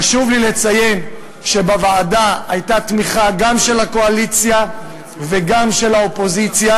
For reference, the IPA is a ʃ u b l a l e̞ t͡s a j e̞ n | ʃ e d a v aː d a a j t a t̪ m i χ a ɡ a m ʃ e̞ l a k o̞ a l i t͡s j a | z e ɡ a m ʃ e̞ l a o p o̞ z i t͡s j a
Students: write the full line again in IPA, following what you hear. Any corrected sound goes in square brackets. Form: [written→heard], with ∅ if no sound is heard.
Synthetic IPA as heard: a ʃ u [b→v] l [a→i] l e̞ t͡s a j e̞ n | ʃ e [d→b] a v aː d a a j t a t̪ m i χ a ɡ a m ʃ e̞ l a k o̞ a l i t͡s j a | [z→v] e ɡ a m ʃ e̞ l a o p o̞ z i t͡s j a